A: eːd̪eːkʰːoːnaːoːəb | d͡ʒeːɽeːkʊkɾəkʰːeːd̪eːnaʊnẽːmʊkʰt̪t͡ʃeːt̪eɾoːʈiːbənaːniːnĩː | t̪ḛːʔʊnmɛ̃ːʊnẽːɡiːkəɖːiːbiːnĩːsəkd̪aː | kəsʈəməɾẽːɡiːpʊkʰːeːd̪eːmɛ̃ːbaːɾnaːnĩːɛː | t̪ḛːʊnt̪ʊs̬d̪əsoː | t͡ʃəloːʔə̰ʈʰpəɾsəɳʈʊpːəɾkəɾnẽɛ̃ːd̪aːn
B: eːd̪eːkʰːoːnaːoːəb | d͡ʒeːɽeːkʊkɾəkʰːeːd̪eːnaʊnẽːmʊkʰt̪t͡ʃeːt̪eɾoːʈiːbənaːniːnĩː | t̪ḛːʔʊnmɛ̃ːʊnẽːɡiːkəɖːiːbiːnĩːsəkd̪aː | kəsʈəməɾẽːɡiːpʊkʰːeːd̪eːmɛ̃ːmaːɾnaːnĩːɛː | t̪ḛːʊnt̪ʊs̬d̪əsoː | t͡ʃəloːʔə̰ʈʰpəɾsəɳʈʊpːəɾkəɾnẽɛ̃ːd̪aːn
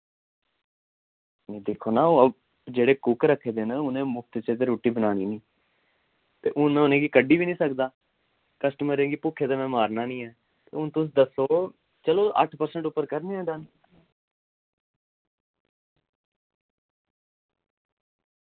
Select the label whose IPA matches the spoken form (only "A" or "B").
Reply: B